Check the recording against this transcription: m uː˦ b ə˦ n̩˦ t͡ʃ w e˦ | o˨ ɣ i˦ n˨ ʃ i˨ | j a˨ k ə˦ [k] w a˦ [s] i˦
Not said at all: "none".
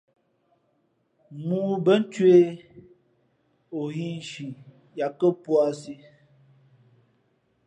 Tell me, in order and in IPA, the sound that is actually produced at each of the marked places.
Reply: p, s

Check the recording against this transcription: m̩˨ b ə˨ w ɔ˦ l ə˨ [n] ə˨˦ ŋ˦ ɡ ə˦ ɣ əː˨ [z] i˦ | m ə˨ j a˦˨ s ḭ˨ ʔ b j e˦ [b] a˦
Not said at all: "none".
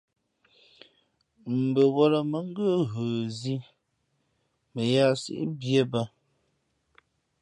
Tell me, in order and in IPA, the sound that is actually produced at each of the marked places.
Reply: m, z, b

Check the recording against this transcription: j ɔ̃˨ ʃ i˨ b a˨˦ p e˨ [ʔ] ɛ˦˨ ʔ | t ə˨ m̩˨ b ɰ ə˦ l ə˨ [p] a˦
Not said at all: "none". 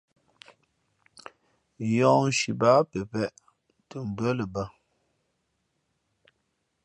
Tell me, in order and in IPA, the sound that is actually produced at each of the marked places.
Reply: p, b

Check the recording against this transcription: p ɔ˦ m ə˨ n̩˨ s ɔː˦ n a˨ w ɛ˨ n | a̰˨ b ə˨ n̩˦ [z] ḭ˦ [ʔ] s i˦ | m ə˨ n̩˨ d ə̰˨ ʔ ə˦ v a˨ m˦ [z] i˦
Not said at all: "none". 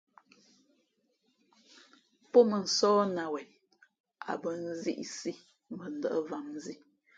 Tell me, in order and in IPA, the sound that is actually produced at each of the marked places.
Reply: z, ʔ, z

